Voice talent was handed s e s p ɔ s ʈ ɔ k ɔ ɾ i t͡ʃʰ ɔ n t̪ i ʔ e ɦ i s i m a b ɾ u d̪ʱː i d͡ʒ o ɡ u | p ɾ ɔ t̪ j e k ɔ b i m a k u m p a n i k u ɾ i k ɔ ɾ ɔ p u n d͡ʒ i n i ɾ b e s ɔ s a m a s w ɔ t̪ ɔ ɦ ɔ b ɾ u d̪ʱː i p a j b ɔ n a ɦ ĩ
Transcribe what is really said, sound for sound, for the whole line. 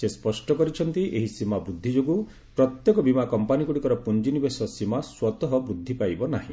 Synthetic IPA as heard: s e s p ɔ s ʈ ɔ k ɔ ɾ i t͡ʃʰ ɔ n t̪ i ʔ e ɦ i s i m a b ɾ u d̪ʱː i d͡ʒ o ɡ u | p ɾ ɔ t̪ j e k ɔ b i m a k ɔ m p a n i k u ɽ i k ɔ ɾ ɔ p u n d͡ʒ i n i b e s ɔ s i m a s w ɔ t̪ ɔ ɦ ɔ b ɾ u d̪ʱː i p a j b ɔ n a ɦ ĩ